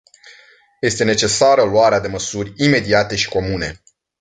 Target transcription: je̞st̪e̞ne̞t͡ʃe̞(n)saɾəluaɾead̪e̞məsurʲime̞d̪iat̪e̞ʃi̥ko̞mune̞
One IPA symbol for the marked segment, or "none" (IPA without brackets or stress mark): none